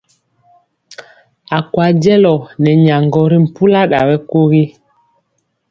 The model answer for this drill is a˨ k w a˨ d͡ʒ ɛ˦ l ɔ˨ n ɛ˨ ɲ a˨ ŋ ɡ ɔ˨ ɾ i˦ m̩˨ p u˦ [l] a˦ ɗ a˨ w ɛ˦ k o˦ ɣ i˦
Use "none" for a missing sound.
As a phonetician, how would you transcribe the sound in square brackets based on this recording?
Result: l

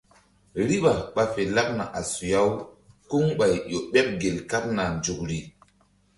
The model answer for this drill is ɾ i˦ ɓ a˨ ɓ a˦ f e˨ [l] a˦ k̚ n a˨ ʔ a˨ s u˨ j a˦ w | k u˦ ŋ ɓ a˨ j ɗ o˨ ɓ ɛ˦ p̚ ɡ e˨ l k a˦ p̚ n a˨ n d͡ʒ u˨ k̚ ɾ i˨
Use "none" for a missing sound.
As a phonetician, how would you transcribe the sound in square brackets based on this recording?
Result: l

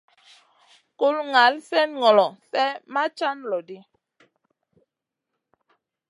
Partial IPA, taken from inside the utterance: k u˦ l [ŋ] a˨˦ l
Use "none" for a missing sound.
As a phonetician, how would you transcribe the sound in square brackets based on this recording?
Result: ŋ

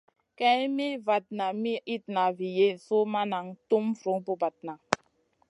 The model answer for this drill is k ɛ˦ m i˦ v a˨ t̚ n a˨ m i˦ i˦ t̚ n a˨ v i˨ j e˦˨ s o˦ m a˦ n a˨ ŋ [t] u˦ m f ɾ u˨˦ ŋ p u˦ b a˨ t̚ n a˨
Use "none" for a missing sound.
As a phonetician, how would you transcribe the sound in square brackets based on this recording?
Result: t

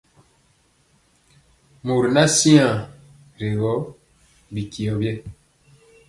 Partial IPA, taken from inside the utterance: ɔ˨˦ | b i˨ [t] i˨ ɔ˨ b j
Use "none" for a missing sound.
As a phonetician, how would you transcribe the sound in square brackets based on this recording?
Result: k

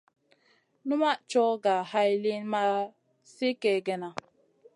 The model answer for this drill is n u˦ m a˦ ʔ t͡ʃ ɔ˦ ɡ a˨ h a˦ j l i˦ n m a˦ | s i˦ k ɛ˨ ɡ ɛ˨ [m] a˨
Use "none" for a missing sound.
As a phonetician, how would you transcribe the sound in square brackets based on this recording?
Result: n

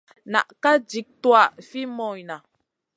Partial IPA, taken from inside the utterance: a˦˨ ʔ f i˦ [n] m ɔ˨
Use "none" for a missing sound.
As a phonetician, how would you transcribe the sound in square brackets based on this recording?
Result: none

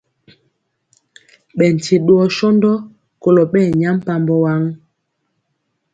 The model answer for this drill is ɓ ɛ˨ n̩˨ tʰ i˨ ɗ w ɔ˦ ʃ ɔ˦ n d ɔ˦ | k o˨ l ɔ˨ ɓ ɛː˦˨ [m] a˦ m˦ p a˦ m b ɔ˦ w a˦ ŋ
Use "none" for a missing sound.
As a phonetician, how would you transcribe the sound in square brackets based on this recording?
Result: ɲ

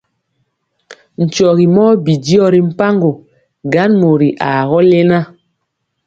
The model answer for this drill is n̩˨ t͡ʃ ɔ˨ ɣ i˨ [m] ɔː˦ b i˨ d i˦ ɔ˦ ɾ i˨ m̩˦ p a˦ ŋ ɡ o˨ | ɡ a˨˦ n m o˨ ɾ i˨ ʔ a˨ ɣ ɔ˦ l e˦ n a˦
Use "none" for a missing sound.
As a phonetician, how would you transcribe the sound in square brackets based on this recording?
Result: m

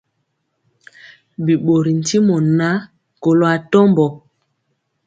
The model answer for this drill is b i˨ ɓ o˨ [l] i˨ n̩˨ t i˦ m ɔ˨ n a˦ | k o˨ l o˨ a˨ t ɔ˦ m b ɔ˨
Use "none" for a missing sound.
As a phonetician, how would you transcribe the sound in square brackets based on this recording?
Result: ɾ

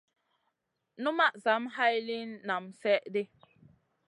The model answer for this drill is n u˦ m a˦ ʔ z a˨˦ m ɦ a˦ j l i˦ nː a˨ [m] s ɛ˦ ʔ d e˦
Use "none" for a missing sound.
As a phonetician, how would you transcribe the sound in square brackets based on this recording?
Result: m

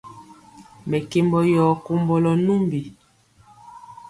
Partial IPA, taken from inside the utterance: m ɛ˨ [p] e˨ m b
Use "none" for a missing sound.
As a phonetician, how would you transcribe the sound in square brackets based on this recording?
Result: k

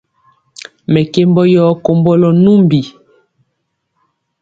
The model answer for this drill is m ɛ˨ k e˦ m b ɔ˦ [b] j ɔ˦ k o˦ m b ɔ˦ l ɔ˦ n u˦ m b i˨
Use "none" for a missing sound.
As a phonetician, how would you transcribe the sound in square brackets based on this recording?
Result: none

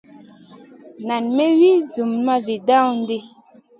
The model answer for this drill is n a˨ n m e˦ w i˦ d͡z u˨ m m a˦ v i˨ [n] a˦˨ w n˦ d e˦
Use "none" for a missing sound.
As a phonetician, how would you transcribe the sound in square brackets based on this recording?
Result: d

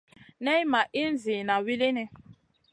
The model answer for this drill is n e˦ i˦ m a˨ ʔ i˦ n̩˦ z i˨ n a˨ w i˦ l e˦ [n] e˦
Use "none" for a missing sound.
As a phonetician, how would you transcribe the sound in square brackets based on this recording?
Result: n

